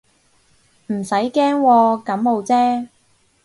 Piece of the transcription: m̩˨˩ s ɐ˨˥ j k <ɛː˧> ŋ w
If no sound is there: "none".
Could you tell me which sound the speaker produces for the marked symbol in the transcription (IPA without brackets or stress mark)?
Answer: ɛː˥